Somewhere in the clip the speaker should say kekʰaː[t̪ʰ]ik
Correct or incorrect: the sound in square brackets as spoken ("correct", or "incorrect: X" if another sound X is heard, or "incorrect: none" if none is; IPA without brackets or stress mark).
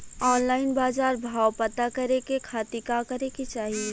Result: incorrect: t̪